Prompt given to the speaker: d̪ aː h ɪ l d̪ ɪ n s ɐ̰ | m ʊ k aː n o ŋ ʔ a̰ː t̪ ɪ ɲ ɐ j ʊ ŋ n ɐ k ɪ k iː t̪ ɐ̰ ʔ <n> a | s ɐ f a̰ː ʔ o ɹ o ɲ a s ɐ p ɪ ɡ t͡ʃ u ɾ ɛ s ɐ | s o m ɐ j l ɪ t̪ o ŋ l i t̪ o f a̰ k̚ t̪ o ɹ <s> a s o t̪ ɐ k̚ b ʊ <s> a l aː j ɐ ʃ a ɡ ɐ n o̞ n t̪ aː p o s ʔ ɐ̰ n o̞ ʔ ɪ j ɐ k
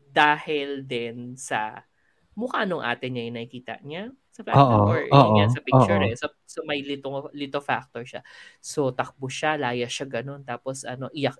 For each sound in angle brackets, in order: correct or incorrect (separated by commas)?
incorrect, incorrect, incorrect